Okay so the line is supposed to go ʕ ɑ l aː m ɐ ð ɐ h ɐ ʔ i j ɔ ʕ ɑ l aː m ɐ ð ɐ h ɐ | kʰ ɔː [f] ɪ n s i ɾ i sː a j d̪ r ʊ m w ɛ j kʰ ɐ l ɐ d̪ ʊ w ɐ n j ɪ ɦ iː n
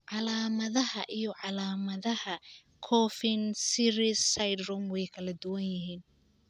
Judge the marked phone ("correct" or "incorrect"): correct